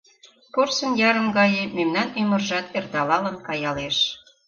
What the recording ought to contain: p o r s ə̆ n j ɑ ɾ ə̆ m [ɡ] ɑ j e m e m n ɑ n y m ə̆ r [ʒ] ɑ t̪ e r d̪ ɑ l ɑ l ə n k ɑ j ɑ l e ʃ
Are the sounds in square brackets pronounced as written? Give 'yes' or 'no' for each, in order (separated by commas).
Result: yes, yes